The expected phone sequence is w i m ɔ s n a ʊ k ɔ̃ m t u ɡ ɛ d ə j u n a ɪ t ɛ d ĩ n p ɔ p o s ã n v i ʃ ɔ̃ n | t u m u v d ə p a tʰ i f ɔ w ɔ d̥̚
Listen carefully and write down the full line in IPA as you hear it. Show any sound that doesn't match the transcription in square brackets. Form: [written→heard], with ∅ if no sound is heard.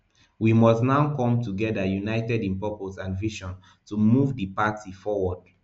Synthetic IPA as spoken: w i m ɔ s n a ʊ k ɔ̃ m t u ɡ ɛ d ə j u n a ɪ t ɛ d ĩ n p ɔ p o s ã n v i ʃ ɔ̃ n | t u m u v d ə p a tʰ i f ɔ w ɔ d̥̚